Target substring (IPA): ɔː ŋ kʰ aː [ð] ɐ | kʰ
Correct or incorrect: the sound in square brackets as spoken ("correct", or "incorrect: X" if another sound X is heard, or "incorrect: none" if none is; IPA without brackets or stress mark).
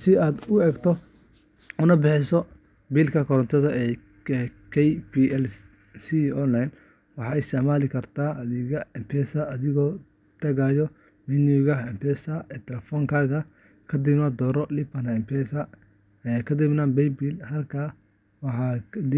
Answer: incorrect: ɣ